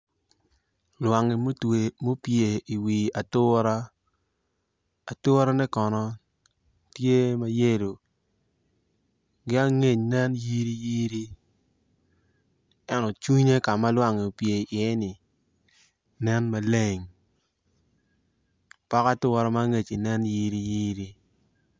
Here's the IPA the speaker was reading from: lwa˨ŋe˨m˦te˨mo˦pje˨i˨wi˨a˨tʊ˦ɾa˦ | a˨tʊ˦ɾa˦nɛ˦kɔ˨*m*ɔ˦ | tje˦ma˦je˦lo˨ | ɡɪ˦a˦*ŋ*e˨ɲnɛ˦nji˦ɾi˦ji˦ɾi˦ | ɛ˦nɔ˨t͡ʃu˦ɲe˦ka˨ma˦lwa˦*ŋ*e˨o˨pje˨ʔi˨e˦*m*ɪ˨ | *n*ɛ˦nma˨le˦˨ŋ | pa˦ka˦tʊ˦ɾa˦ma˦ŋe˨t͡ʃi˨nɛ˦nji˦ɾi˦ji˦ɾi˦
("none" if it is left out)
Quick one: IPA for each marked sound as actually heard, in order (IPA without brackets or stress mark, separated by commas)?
n, ŋ, ŋ, n, n